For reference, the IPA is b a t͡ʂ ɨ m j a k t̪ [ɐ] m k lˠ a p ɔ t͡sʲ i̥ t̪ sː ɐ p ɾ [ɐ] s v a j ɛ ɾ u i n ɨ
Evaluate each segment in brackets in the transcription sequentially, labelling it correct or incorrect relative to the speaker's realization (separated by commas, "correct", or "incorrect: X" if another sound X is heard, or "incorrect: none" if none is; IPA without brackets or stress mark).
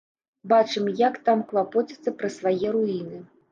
incorrect: a, correct